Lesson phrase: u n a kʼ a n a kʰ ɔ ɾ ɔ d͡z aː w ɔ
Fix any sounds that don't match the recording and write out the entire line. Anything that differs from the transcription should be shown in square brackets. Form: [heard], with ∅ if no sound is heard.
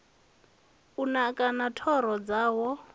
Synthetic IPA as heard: u n a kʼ a n a [tʰ] ɔ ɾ ɔ d͡z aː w ɔ